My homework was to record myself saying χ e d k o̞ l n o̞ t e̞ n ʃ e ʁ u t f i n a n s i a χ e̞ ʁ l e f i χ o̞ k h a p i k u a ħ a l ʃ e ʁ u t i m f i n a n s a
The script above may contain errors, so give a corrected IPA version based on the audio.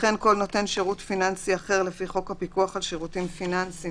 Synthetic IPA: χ e n k o̞ l n o̞ t e̞ n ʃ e ʁ u t f i n a n s i a χ e̞ ʁ l e f i χ o̞ k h a p i k u a χ a l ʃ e ʁ u t i m f i n a n s i

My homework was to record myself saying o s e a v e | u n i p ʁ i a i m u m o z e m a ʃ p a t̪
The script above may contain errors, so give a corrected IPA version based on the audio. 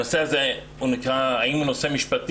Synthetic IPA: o s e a z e | u n i k ʁ a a i m u n o s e m i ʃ p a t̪

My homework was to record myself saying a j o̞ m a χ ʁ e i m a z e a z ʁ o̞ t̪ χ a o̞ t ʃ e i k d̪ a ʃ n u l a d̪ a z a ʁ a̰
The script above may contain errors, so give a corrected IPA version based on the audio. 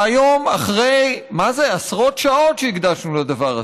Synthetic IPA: a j o̞ m a χ ʁ e j m a z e a s ʁ o̞ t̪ ʃ a o̞ t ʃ e i ɡ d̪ a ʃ n u l a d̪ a v a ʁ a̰

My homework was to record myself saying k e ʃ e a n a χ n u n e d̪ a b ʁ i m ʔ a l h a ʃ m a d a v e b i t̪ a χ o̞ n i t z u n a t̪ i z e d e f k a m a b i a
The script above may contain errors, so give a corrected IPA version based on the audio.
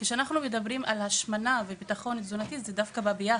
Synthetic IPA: k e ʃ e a n a χ n u m e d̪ a b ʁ i m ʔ a l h a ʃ m a n a v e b i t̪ a χ o̞ n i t z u n a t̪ i z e d a f k a b a b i a

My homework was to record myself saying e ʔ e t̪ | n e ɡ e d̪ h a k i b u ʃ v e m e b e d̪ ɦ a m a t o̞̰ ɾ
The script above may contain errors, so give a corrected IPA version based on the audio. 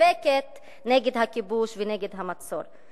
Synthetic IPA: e k e t̪ | n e ɡ e d̪ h a k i b u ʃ v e n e ɡ e d̪ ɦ a m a t͡s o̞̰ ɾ

